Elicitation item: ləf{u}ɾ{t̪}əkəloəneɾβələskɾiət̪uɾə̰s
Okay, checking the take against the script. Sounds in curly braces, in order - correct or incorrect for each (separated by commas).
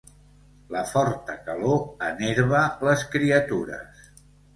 incorrect, correct